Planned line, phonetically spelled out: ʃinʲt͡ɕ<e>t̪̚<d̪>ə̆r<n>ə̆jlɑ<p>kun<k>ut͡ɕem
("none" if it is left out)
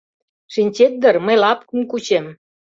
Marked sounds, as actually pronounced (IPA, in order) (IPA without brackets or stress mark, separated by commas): e, d̪, m, p, k